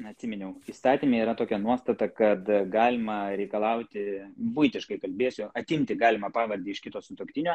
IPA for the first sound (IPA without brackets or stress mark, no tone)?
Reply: ɐ